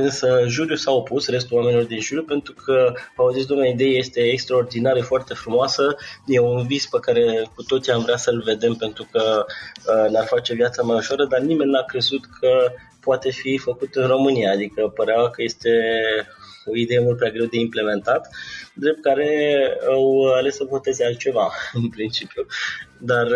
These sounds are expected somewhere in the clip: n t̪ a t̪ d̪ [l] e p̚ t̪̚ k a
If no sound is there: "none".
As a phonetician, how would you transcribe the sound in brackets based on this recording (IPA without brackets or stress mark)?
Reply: ɾ